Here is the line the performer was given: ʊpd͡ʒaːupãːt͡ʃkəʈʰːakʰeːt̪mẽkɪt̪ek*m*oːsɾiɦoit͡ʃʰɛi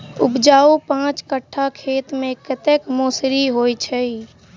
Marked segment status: correct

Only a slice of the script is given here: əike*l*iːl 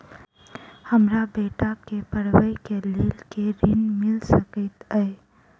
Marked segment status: correct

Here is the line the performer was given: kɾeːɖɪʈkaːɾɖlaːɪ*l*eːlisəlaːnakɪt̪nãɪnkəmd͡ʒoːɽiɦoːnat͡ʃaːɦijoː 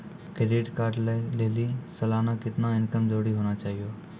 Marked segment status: correct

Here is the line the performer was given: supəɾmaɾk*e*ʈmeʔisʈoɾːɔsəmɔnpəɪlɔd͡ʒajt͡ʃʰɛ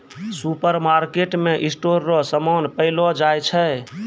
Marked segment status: correct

